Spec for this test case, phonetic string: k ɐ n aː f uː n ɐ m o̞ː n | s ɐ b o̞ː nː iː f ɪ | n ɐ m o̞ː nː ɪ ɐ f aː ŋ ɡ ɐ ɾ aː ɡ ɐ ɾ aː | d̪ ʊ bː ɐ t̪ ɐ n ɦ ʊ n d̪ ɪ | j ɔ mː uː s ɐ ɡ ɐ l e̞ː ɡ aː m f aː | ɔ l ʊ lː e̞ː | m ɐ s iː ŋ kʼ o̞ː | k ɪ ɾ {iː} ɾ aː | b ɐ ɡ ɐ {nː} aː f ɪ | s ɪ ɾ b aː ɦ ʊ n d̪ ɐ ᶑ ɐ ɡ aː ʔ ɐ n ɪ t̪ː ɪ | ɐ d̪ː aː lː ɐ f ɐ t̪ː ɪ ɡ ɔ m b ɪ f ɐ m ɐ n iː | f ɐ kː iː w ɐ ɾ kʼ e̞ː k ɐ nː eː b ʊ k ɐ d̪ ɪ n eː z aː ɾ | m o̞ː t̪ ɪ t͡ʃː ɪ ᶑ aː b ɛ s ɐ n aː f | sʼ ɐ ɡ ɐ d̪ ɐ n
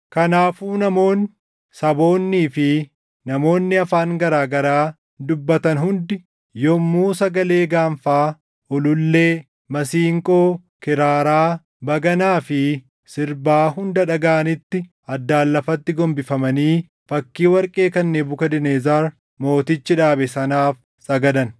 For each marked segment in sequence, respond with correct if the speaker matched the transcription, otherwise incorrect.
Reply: incorrect, incorrect

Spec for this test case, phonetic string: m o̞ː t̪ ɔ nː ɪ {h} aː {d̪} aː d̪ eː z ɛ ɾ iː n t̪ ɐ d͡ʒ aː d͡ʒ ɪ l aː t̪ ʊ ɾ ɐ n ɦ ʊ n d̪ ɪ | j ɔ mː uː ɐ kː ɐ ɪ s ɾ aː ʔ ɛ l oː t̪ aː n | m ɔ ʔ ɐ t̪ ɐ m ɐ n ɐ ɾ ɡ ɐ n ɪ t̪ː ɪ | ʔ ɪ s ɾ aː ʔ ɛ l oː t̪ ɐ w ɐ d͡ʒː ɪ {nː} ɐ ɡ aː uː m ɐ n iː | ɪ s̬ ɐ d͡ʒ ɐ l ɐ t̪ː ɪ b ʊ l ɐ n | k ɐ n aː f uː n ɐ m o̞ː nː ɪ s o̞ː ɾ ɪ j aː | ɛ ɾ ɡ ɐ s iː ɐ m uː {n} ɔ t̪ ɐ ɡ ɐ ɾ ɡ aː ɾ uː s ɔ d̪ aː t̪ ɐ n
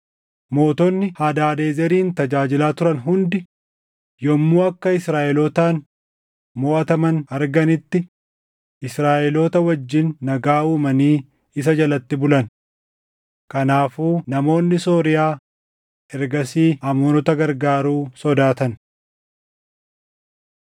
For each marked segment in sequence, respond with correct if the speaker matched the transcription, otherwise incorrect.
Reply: correct, correct, correct, correct

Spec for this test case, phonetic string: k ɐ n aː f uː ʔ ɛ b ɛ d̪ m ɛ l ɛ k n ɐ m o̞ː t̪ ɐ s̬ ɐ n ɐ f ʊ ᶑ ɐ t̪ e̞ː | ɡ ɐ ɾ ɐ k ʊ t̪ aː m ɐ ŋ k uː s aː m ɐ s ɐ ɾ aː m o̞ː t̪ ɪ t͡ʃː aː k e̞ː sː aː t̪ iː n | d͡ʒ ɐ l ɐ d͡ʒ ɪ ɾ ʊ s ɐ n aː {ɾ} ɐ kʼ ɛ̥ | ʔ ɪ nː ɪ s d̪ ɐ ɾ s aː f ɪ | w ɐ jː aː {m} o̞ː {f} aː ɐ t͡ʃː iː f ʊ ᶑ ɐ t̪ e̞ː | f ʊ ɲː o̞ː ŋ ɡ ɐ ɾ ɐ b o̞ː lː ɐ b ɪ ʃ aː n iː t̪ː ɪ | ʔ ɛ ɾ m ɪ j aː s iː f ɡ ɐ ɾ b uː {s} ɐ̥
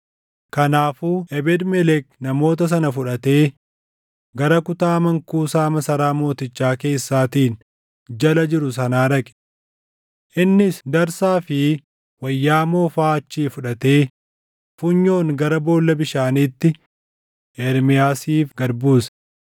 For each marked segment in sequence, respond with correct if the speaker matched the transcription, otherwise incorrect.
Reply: correct, correct, correct, correct

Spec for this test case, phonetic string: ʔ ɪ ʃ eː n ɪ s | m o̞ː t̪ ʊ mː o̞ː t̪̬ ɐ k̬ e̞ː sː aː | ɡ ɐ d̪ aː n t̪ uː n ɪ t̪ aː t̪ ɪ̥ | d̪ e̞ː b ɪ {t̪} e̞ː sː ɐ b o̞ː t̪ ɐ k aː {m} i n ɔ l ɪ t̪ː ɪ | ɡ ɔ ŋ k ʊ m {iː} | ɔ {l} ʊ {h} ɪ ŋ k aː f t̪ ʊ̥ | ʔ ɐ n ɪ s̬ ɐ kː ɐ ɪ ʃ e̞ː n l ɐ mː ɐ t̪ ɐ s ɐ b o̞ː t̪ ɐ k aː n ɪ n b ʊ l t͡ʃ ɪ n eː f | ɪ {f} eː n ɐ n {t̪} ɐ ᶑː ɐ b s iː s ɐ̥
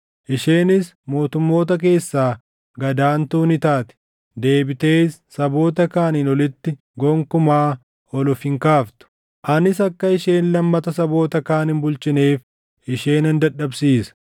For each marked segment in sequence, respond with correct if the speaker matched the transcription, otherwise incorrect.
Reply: correct, incorrect, incorrect, correct, incorrect, incorrect, incorrect

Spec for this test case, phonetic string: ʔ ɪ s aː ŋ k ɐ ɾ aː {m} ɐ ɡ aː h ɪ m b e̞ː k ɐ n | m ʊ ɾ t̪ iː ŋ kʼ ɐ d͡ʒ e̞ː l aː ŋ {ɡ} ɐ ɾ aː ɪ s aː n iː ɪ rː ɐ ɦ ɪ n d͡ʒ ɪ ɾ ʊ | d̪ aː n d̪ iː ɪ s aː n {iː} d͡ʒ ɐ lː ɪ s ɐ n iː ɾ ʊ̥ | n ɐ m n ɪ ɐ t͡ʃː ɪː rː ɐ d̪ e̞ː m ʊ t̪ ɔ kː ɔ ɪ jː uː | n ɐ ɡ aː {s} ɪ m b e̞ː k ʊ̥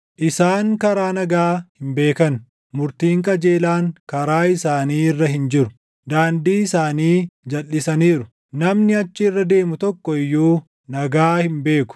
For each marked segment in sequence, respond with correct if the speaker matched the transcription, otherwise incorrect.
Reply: incorrect, incorrect, correct, incorrect

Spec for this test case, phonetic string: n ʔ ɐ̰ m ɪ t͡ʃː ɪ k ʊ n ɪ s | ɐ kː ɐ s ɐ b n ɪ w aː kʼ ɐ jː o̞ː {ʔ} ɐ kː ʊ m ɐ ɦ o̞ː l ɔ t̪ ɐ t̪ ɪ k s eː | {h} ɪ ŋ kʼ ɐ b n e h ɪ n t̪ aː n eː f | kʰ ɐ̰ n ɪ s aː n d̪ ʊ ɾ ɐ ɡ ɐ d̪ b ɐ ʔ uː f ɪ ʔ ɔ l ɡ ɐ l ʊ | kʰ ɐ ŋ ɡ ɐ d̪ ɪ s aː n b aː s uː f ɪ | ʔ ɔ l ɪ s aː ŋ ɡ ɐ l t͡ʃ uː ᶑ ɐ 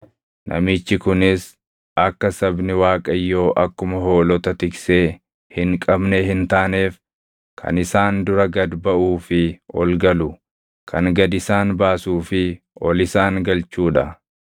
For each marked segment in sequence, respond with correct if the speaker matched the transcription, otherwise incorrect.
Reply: correct, correct

